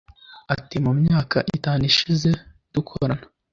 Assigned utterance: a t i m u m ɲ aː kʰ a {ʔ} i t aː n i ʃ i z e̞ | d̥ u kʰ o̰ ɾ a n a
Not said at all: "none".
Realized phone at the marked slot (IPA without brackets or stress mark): ʔ